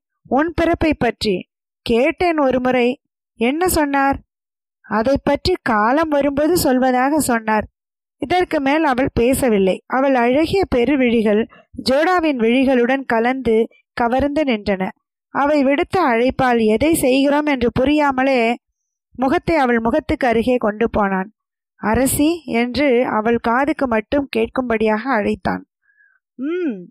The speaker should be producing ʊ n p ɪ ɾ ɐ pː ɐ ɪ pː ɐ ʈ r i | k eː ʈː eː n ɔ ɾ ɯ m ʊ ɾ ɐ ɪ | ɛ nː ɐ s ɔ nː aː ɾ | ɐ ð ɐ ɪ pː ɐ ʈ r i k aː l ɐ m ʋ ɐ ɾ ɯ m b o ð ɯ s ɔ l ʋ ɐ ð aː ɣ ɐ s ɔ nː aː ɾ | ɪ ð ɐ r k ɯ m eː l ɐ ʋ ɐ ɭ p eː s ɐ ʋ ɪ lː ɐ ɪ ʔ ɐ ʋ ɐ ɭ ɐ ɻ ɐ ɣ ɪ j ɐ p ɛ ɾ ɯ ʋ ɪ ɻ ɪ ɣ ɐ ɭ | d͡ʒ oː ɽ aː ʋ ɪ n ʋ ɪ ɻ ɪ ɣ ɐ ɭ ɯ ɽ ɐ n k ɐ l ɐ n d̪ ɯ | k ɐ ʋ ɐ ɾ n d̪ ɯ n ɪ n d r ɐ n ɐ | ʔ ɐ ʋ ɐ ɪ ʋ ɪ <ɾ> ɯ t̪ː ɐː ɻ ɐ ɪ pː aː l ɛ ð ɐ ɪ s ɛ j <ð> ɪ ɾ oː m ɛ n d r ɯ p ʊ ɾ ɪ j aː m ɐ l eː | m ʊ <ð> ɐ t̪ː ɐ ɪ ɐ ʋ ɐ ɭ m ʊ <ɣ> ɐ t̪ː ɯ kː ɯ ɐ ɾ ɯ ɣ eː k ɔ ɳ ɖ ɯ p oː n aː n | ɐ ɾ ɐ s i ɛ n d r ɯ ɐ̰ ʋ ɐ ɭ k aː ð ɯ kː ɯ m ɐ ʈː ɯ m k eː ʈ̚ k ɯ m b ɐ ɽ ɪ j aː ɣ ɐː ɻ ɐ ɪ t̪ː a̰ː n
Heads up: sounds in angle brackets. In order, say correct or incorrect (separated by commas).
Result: incorrect, incorrect, incorrect, correct